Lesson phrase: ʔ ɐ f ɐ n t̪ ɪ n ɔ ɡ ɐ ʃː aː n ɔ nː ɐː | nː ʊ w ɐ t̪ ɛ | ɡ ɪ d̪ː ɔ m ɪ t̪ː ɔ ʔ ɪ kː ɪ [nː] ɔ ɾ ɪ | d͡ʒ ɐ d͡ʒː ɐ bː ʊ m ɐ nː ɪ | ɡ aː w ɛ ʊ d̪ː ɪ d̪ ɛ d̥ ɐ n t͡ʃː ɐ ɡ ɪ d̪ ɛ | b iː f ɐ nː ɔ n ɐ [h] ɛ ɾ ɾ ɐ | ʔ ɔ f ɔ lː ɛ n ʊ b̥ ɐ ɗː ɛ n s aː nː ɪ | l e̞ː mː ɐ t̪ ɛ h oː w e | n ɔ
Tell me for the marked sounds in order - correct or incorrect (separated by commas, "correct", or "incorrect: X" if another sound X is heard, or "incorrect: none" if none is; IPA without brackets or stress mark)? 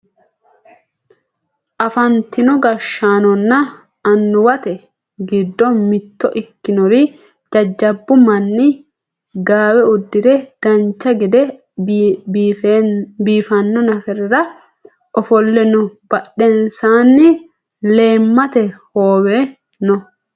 incorrect: n, incorrect: f